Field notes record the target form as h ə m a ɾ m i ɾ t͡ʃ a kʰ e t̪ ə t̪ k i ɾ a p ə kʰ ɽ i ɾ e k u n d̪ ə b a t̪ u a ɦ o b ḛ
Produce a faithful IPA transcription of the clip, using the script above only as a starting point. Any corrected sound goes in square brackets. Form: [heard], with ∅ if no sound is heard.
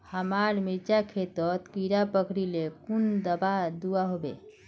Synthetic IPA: h ə m a ɾ m i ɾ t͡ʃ a kʰ e t̪ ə t̪ k i ɾ a p ə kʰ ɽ i [l] e k u n d̪ ə b a [d̪] u a ɦ o b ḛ